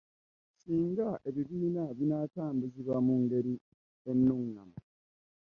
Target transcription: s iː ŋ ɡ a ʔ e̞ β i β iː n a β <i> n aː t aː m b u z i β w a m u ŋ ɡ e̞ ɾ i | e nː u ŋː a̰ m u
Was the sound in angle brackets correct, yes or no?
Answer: yes